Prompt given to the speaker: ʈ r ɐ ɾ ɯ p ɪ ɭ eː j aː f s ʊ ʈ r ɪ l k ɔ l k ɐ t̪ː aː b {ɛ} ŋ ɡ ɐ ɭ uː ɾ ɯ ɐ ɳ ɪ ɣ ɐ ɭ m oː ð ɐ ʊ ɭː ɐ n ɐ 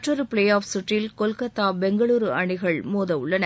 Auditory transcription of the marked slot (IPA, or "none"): ɛ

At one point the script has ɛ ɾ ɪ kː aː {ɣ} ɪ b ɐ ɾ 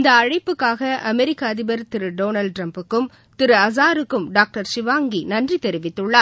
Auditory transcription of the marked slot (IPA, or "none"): ð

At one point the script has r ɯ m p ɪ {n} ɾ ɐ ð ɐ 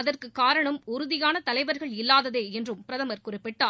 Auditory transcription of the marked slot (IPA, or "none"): none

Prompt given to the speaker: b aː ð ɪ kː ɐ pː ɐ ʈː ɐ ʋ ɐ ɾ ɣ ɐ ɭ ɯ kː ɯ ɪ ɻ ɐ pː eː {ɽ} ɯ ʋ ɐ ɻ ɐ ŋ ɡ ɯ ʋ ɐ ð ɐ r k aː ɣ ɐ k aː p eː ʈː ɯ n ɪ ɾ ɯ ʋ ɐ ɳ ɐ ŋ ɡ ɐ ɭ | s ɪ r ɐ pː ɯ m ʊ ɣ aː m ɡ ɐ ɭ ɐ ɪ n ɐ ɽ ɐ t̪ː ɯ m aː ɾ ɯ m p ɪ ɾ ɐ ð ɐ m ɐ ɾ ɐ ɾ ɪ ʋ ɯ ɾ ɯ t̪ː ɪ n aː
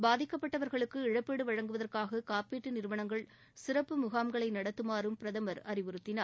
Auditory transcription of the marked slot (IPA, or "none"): ɽ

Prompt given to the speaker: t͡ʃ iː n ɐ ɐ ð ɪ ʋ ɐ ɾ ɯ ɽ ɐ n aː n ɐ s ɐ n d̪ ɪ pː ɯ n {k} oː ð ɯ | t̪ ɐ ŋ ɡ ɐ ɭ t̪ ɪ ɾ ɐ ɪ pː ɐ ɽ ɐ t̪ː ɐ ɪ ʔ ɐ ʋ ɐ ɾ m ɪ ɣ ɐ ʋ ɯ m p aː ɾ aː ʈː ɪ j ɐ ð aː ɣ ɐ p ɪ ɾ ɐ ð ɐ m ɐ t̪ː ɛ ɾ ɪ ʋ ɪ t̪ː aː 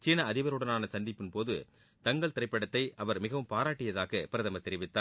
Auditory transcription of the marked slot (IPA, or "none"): p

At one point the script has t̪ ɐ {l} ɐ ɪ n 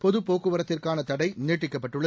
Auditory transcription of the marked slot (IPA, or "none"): ɽ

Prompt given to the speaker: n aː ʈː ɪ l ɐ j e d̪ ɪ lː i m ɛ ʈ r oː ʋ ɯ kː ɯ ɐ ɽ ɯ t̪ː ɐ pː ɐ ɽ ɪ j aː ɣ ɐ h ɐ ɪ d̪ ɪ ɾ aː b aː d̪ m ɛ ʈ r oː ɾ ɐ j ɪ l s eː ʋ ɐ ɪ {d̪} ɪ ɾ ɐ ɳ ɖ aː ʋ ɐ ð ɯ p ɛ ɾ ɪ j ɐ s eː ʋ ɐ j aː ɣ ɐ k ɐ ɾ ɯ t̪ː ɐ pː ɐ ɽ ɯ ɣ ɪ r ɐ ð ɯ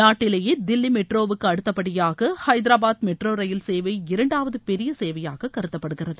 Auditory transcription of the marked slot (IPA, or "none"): none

